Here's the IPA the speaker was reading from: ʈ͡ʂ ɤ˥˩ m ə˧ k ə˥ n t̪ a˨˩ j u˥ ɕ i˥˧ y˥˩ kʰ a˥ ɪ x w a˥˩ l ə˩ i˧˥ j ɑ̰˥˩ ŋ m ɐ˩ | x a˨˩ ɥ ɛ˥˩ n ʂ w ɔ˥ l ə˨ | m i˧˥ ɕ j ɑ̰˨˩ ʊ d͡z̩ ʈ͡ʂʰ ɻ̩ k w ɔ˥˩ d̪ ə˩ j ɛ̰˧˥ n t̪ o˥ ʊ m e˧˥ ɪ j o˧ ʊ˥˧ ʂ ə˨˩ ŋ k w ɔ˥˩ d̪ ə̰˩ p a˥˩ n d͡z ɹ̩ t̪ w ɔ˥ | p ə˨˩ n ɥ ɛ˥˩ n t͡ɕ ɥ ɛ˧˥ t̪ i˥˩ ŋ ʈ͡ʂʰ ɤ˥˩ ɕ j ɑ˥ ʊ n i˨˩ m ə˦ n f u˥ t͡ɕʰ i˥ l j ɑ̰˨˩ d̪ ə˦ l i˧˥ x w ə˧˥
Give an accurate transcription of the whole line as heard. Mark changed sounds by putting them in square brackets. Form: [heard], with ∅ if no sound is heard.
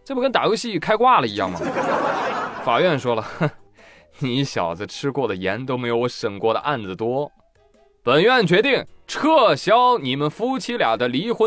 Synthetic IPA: ʈ͡ʂ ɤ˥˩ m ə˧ k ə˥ n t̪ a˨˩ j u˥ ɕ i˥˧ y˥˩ kʰ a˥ ɪ [k] w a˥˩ l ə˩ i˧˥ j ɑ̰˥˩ ŋ m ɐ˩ | [f] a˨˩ ɥ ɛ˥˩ n ʂ w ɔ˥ l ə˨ | [n] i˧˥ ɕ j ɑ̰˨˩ ʊ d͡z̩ ʈ͡ʂʰ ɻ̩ k w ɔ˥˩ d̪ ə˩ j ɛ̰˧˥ n t̪ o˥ ʊ m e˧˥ ɪ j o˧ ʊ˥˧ ʂ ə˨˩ ŋ k w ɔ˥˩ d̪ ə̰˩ [ʔ] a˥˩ n d͡z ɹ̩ t̪ w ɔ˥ | p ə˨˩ n ɥ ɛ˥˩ n t͡ɕ ɥ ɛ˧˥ t̪ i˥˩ ŋ ʈ͡ʂʰ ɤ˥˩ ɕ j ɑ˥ ʊ n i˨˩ m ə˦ n f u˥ t͡ɕʰ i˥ l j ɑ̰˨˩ d̪ ə˦ l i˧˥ x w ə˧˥